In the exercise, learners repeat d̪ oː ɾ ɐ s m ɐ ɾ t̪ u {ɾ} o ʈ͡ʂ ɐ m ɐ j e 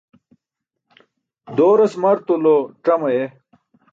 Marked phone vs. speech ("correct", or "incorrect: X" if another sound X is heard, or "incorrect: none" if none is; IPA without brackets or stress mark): incorrect: l